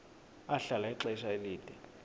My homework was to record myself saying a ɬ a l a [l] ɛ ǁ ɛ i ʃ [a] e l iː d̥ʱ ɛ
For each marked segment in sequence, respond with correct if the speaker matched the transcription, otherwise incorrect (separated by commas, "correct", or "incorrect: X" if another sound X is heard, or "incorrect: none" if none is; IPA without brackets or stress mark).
incorrect: none, correct